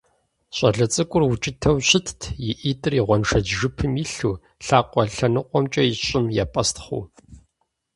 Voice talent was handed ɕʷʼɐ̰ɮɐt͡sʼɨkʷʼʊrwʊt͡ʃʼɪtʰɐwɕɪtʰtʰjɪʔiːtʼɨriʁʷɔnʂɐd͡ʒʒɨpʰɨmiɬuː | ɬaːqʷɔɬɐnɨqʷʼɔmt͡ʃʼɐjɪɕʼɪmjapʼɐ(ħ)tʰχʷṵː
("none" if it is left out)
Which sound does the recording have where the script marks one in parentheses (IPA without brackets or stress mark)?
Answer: s